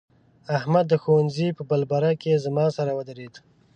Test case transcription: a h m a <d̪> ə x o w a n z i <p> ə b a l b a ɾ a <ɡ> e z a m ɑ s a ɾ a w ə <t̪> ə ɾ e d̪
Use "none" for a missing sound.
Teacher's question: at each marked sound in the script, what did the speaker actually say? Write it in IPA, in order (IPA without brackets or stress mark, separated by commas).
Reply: d̪ː, p, k, d̪